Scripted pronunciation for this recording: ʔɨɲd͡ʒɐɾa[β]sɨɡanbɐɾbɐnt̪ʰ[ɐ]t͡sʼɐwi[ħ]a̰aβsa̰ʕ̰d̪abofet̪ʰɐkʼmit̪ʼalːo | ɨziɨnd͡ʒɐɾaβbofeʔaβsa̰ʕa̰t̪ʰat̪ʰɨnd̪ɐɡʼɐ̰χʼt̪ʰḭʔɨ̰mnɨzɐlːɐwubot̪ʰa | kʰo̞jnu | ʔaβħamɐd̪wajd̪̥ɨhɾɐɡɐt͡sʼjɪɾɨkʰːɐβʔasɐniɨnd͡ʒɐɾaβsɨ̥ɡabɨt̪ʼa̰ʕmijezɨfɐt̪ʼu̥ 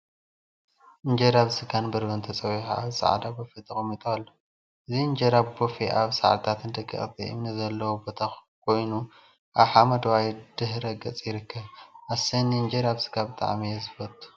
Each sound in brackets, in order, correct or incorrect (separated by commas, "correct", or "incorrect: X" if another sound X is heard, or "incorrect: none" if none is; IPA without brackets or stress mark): correct, correct, correct